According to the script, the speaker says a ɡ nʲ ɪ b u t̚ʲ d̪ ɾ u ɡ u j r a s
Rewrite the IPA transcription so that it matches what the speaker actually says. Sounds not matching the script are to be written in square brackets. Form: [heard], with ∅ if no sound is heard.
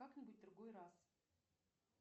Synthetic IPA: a [k] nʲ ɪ b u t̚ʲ d̪ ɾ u ɡ [o] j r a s